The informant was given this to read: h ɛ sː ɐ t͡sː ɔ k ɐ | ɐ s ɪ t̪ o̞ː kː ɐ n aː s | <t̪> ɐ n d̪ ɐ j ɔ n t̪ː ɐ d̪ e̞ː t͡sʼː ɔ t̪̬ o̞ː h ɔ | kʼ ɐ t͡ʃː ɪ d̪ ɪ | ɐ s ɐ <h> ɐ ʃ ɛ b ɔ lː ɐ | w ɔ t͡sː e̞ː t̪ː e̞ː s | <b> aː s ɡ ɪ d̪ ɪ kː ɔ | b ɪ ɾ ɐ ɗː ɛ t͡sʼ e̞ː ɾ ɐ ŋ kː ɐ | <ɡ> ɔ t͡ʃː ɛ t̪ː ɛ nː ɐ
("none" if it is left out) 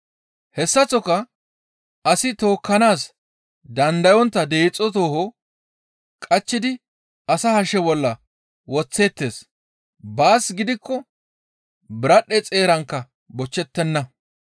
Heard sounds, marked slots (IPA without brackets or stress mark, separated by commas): d̪, h, b, b